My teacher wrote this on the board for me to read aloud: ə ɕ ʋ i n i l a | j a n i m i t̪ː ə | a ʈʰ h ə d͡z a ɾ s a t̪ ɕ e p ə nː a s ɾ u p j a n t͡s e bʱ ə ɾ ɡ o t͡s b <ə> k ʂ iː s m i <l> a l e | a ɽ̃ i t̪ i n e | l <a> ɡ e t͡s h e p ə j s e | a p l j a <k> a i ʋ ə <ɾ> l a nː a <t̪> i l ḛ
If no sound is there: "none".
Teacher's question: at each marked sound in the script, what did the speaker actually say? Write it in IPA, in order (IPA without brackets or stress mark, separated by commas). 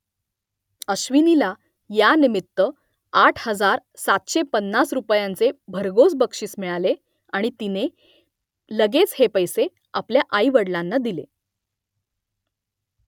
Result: ə, ɭ, ə, ʔ, ɽ, d̪